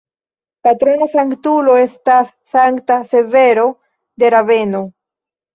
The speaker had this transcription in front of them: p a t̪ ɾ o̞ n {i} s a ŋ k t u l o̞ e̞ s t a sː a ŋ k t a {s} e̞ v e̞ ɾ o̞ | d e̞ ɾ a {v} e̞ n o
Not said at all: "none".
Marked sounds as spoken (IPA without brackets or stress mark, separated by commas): a, s, v